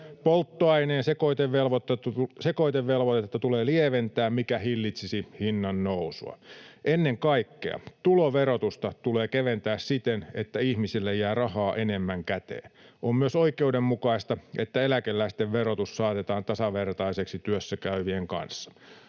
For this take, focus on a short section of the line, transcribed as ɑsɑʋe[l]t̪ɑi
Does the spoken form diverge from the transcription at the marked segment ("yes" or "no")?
yes